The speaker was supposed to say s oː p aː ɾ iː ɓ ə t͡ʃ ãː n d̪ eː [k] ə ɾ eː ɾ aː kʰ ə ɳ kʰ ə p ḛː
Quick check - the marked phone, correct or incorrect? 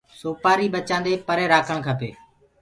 incorrect: p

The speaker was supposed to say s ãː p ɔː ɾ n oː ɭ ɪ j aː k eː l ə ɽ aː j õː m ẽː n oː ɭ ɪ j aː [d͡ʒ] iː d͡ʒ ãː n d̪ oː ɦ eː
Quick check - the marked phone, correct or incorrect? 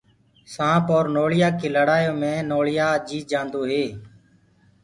correct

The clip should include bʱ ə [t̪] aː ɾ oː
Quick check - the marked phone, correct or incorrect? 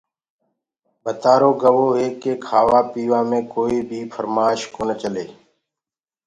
correct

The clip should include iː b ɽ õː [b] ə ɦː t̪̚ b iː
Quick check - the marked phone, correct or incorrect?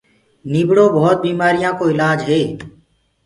correct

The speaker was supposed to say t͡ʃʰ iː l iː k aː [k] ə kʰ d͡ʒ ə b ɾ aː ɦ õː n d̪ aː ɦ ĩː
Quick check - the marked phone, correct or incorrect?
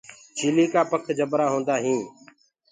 incorrect: p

